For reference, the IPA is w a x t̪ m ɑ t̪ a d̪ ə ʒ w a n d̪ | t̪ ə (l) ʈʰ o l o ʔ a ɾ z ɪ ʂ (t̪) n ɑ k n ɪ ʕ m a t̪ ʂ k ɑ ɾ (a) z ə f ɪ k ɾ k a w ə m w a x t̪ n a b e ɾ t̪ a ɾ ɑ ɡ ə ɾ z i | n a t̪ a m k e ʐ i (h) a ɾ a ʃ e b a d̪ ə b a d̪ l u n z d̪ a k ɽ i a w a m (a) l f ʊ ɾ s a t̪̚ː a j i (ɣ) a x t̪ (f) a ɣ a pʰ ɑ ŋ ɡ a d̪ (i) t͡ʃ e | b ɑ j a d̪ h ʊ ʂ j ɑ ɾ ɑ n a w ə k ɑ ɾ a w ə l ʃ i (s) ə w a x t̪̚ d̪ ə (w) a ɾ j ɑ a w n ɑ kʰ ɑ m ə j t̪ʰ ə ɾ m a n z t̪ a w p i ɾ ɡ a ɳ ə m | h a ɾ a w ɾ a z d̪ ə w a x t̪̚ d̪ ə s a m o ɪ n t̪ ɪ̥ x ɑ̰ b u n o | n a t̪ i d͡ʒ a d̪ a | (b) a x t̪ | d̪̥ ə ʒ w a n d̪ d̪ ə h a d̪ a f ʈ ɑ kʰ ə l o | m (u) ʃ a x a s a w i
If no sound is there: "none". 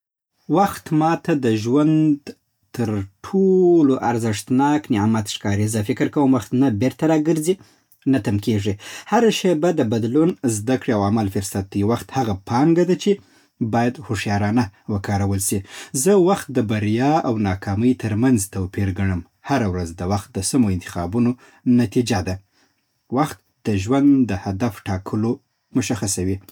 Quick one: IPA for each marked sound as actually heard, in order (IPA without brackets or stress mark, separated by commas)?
ɾ, t̪, i, h, a, w, h, a, z, b, w, ʊ